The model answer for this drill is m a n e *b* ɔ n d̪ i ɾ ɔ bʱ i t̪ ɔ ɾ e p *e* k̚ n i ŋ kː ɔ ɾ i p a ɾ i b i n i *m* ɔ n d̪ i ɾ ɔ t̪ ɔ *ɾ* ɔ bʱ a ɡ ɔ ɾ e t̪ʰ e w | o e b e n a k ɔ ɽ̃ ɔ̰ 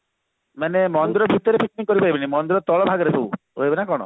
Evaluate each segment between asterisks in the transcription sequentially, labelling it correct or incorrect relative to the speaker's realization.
incorrect, incorrect, correct, incorrect

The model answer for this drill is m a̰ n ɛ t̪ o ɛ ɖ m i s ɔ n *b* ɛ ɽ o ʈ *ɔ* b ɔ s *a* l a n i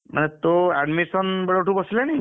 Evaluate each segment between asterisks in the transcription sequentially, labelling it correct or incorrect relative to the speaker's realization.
correct, incorrect, incorrect

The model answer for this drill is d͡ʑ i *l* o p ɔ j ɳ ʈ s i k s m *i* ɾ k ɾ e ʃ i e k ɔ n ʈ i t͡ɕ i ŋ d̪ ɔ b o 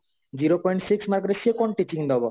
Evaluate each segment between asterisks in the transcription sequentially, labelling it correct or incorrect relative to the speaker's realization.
incorrect, incorrect

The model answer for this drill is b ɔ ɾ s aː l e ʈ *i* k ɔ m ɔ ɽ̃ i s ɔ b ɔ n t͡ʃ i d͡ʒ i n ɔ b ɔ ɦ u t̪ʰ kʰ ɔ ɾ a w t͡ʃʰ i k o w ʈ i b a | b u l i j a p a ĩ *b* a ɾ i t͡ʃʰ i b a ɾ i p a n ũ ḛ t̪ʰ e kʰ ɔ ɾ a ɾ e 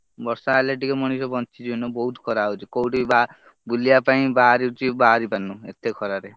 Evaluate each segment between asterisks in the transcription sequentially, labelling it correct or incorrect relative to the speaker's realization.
correct, correct

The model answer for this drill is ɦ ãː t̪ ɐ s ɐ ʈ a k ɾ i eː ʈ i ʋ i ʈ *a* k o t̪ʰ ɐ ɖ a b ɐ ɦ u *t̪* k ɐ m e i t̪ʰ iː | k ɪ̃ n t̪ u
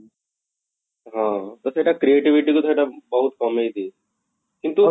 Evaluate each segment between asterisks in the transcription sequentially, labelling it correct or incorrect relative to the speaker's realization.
incorrect, correct

